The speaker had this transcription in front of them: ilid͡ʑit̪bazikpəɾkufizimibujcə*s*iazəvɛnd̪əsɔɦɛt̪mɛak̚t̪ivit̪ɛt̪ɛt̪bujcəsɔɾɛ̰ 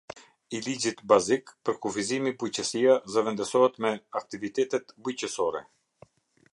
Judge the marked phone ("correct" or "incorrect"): correct